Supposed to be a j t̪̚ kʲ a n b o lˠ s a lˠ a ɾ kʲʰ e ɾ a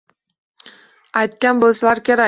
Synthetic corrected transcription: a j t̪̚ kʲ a n b o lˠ s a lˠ a ɾ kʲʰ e ɾ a